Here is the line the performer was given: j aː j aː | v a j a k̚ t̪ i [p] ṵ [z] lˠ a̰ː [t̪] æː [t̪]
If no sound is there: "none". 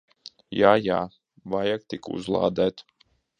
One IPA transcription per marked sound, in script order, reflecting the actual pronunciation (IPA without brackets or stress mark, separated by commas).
k, z, d̪, t̪